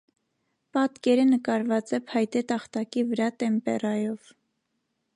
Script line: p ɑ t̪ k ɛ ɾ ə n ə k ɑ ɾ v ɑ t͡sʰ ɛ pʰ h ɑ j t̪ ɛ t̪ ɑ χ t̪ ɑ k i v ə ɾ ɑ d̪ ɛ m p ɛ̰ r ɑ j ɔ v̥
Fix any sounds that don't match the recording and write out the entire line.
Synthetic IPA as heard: p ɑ t̪ k ɛ ɾ ə n ə k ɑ ɾ v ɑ t͡s ɛ pʰ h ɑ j t̪ ɛ t̪ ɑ χ t̪ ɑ k i v ə ɾ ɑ t̪ ɛ m p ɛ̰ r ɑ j ɔ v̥

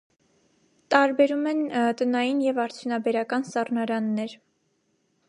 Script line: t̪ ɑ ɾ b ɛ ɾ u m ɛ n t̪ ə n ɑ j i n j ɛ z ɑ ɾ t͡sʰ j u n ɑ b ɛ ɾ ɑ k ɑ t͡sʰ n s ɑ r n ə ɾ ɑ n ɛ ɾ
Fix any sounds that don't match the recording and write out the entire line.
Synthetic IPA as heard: t̪ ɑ ɾ b ɛ ɾ u m ɛ n t̪ ə n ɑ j i n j ɛ v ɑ ɾ t͡sʰ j u n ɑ b ɛ ɾ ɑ k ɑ n s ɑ r n ɑ ɾ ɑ nː ɛ ɾ

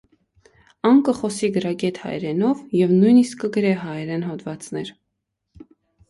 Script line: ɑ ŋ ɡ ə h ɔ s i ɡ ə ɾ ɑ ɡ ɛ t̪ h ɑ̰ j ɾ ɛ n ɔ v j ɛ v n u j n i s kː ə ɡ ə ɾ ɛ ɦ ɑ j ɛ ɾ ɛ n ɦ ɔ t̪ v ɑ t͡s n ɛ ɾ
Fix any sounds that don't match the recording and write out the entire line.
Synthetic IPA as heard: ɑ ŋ k ə χ ɔ s i ɡ ə ɾ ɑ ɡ ɛ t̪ h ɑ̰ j ɾ ɛ n ɔ v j ɛ v n u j n i s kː ə ɡ ə ɾ ɛ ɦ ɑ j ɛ ɾ ɛ n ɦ ɔ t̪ v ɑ t͡s n ɛ ɾ

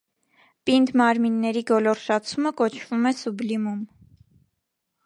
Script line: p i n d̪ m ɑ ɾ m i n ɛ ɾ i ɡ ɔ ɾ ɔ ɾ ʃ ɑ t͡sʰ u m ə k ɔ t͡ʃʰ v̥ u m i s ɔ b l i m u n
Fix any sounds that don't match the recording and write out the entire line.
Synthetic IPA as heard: p i n d̪ m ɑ ɾ m i nː ɛ ɾ i ɡ ɔ l ɔ ɾ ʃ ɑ t͡sʰ u m ə k ɔ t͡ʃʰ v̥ u m ɛ s u b l i m u m

